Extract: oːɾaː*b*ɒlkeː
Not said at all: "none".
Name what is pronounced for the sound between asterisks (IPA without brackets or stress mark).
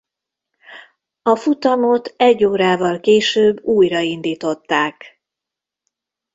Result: v